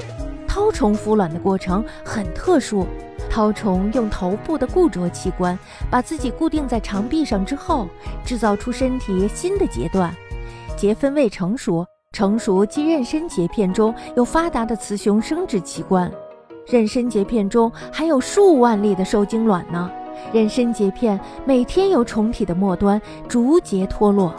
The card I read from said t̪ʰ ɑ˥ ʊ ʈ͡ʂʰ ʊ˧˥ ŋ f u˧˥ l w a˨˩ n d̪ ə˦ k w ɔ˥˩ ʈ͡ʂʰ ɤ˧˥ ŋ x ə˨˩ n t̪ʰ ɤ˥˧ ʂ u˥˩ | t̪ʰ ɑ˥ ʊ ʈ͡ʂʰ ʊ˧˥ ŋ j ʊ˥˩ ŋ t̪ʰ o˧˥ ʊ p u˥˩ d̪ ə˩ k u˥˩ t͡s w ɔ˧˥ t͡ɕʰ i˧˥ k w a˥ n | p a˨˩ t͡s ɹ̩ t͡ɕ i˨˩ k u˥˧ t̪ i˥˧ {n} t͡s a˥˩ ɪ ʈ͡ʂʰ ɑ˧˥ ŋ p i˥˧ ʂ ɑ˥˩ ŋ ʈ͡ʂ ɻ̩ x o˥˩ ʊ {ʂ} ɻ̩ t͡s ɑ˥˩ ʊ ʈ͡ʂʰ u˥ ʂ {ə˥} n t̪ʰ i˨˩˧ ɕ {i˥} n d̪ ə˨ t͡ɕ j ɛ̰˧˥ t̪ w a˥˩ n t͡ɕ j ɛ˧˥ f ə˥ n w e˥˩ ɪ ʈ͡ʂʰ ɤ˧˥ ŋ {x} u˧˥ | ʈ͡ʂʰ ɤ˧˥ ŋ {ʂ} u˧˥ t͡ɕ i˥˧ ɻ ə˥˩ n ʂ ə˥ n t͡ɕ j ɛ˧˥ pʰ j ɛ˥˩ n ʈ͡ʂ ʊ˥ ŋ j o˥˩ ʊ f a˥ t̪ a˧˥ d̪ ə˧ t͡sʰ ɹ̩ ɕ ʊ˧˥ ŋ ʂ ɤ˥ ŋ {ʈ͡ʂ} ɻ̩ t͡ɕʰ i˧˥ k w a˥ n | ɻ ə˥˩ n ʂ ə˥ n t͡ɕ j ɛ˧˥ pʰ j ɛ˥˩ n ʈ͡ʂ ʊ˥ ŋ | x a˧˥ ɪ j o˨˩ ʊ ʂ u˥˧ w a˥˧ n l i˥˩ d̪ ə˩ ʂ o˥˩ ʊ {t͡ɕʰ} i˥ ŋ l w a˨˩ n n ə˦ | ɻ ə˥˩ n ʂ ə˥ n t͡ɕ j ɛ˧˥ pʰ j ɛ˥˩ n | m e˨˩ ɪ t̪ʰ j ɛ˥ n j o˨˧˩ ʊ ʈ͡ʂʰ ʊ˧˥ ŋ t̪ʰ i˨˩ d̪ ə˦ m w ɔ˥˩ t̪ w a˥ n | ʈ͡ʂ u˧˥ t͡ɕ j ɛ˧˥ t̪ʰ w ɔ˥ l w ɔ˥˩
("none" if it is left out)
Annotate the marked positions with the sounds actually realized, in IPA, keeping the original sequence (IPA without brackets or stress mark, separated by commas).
ŋ, ʈ͡ʂ, ə˥, i˥, ʂ, ʂ, ʈ͡ʂ, t͡ɕ